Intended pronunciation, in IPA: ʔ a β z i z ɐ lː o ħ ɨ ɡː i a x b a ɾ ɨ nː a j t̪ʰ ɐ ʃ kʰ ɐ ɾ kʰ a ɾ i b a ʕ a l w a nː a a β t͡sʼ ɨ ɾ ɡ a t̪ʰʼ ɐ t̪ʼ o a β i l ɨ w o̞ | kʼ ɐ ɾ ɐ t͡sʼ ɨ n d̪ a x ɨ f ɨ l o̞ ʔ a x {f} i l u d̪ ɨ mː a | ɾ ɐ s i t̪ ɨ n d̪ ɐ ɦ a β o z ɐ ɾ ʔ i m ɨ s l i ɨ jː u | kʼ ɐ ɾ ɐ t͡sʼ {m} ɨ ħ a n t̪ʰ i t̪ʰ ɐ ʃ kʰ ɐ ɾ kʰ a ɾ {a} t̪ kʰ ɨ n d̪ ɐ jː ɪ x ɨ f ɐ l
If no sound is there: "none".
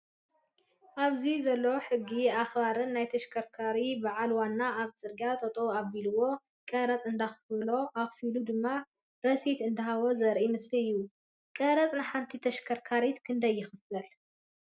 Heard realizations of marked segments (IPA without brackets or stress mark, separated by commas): f, n, i